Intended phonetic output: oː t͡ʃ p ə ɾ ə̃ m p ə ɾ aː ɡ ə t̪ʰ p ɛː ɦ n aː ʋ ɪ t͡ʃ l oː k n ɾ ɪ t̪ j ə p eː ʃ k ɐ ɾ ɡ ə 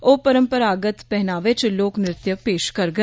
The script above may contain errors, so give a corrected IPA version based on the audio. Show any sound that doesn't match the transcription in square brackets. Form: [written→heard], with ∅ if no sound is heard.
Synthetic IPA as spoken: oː [t͡ʃ→∅] p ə ɾ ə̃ m p ə ɾ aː ɡ ə [t̪ʰ→t̪] p [ɛː→ɛ] ɦ n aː ʋ ɪ t͡ʃ l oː k n ɾ ɪ t̪ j ə p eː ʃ k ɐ ɾ ɡ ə